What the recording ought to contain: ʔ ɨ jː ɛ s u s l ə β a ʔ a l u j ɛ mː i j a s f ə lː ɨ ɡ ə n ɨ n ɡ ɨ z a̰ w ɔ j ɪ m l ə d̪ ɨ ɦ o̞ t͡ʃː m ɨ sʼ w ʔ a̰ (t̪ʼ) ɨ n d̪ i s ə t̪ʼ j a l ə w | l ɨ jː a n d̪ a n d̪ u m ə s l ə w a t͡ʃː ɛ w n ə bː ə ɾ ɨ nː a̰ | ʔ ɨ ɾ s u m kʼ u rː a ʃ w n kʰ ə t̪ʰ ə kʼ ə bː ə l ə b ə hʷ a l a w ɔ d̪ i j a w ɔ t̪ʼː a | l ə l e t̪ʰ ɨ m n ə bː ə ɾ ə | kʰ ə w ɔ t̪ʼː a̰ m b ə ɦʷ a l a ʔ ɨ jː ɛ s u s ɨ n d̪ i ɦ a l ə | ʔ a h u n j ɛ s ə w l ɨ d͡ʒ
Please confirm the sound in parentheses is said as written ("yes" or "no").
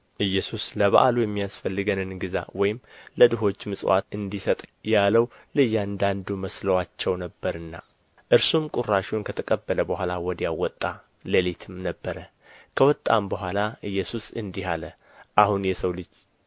no